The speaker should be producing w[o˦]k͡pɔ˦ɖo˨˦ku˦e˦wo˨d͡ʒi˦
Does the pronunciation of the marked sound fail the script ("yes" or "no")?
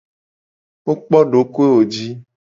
no